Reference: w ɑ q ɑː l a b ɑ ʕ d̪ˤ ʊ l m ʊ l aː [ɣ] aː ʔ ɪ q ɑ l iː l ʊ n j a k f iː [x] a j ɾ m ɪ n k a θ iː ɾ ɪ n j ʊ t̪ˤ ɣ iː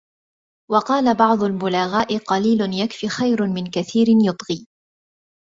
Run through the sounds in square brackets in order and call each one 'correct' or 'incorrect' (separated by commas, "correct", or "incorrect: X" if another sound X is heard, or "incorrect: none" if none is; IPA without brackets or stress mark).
correct, correct